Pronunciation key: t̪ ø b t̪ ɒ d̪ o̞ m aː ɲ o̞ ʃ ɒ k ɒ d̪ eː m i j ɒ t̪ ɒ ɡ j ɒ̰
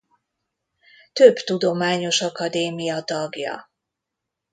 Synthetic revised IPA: t̪ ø b t̪ u d̪ o̞ m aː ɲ o̞ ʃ ɒ k ɒ d̪ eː m i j ɒ t̪ ɒ ɡ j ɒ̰